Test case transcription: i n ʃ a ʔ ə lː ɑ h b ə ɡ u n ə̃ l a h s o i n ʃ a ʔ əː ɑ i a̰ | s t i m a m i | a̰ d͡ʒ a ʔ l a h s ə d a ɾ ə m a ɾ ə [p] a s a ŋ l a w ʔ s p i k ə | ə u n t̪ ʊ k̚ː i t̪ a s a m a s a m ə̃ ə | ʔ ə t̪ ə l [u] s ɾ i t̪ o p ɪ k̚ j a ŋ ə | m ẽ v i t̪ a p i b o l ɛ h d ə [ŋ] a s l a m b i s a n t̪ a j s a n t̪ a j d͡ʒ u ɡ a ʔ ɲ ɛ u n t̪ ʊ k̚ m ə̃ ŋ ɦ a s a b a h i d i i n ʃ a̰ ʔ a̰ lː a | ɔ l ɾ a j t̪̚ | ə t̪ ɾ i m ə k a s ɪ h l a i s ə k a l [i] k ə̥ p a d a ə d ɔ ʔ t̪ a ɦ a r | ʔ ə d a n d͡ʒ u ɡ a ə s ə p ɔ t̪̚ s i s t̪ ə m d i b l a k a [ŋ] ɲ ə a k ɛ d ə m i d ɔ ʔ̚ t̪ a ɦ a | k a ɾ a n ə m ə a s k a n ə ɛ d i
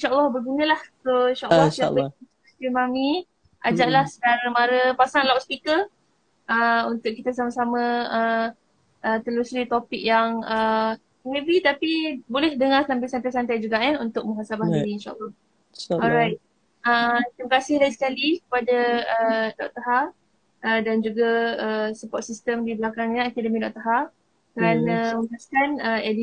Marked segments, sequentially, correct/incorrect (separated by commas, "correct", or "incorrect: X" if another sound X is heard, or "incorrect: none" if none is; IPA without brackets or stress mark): correct, correct, correct, correct, correct